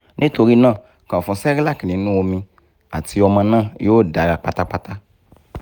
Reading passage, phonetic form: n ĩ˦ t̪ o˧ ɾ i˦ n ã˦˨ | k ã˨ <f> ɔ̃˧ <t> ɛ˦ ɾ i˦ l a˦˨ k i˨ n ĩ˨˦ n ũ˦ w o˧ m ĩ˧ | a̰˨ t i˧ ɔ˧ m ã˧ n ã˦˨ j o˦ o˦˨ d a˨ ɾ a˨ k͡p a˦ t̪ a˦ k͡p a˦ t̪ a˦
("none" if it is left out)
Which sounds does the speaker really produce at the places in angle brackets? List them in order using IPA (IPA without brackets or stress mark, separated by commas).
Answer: f, s